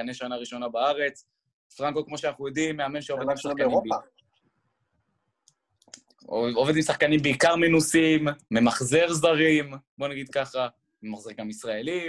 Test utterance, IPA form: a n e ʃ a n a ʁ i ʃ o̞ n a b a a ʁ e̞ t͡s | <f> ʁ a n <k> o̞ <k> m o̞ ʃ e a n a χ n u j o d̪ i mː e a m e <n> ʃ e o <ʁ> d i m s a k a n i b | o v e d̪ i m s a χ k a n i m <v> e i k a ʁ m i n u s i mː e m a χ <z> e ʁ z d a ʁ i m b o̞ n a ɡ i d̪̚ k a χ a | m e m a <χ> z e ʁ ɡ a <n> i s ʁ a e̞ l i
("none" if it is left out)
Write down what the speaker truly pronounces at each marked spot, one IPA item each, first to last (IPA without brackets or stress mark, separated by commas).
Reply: f, k, k, n, v, b, z, χ, m